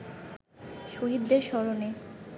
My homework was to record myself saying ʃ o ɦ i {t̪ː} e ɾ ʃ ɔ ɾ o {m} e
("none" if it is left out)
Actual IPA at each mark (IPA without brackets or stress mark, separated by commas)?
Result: d̪ː, n